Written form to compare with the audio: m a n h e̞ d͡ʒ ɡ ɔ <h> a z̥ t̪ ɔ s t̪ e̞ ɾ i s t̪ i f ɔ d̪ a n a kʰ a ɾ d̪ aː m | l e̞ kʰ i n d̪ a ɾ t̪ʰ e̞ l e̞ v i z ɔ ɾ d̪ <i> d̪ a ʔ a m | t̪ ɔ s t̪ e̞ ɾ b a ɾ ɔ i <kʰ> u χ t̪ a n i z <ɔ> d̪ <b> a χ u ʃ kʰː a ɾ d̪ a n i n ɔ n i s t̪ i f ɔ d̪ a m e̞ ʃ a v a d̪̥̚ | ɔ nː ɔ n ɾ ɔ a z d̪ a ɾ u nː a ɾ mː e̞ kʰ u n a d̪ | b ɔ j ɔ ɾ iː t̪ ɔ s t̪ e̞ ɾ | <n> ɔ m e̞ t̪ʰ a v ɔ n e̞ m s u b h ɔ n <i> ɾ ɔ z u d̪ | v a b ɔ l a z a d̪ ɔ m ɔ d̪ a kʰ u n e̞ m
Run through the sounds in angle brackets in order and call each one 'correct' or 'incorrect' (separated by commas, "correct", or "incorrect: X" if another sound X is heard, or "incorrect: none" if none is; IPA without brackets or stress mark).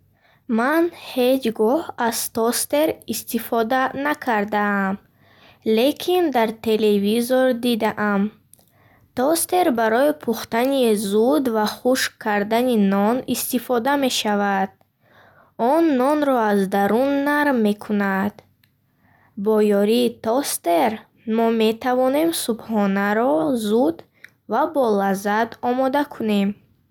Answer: correct, correct, incorrect: pʰ, incorrect: u, incorrect: v, incorrect: m, incorrect: a